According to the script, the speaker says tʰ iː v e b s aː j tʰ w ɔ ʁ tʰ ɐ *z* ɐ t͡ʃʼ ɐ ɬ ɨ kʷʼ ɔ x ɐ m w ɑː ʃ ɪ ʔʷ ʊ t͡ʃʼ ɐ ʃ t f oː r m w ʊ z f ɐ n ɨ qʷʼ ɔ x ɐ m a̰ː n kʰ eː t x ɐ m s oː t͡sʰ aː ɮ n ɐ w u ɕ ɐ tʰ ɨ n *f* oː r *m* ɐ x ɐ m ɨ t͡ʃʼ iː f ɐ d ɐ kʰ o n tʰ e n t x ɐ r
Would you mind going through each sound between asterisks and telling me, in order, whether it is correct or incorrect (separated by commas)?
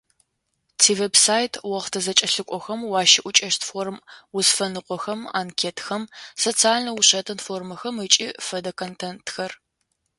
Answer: correct, correct, correct